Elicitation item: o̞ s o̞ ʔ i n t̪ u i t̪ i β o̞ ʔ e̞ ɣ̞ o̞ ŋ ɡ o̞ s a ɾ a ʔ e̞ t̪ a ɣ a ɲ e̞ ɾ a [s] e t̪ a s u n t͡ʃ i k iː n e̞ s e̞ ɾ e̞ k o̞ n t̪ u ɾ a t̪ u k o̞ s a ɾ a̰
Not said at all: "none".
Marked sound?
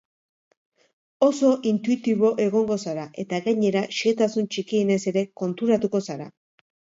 ʃ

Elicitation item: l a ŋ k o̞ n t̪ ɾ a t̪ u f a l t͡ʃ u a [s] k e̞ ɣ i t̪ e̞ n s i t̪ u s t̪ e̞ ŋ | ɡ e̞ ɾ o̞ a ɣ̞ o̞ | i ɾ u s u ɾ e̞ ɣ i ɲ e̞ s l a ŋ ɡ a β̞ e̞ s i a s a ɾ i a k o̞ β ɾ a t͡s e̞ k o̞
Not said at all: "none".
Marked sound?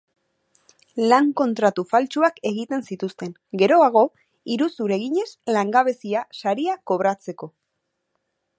none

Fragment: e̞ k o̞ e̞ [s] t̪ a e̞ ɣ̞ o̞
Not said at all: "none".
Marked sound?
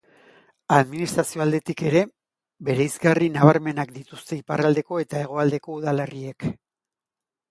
none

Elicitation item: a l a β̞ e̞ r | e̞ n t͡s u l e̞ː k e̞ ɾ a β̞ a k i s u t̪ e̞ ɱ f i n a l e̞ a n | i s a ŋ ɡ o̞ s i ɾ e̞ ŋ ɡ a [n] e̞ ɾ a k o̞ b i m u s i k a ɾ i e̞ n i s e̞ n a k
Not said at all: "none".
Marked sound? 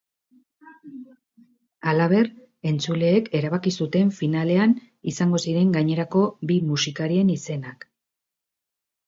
ɲ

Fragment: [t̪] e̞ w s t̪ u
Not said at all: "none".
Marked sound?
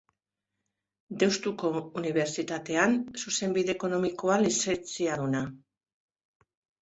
d̪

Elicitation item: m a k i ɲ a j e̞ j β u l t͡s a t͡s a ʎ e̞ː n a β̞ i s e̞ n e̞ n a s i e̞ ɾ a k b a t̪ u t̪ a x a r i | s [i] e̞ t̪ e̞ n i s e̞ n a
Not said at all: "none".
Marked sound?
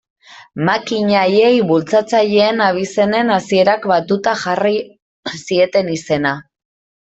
i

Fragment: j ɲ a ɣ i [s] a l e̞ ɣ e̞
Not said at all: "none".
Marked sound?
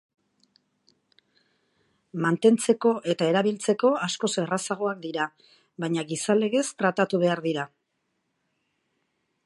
s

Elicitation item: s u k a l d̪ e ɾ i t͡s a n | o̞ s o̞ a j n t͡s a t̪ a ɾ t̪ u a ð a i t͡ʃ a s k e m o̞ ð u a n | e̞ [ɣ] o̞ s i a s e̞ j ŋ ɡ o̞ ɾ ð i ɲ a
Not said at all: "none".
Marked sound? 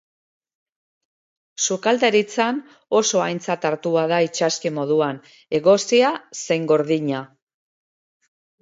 ɣ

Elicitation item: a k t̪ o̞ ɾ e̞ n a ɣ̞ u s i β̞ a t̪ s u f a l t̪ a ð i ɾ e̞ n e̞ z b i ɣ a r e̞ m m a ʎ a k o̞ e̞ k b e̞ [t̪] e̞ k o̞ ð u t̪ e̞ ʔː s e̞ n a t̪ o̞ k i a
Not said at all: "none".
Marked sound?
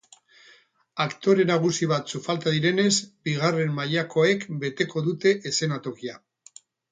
t̪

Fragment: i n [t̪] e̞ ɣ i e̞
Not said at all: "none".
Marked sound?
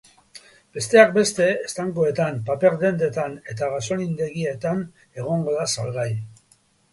d̪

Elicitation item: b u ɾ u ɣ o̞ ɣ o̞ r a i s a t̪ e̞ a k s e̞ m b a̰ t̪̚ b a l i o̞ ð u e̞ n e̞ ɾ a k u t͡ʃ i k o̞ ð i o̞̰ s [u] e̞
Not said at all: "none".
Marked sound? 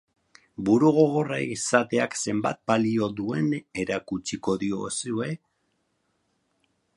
u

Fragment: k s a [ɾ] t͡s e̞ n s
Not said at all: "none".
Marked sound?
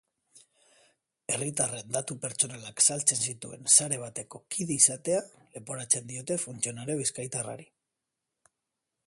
l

